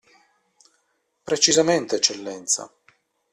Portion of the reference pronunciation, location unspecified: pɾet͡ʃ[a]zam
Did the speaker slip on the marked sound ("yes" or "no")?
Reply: yes